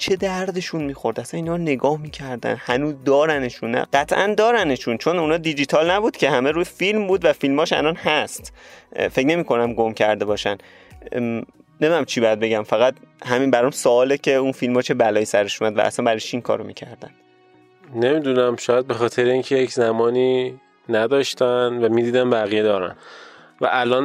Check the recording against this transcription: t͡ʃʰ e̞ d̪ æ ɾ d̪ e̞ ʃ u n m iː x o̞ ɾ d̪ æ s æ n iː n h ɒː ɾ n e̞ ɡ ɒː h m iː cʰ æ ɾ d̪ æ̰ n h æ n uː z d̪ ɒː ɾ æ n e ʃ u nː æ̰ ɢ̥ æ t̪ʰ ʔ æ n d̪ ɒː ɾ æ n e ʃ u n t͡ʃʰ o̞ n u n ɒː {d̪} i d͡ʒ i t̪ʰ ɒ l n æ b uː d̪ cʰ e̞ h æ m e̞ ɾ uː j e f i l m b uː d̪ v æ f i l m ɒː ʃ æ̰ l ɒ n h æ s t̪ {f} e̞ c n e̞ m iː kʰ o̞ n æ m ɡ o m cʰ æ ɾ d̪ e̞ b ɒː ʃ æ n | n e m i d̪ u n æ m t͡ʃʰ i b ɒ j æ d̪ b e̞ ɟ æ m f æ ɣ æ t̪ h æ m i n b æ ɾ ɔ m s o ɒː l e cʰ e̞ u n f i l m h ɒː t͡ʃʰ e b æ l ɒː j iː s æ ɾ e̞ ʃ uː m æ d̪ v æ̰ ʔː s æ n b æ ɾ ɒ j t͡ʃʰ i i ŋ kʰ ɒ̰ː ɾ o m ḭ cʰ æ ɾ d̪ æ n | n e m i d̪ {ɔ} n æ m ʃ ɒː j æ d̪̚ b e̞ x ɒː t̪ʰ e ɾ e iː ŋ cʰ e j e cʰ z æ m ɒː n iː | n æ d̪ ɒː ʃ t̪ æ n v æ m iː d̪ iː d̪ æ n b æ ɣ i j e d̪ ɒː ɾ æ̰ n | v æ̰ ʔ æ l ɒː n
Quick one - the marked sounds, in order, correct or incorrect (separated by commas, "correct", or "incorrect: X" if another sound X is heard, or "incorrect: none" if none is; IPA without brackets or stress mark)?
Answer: correct, correct, incorrect: u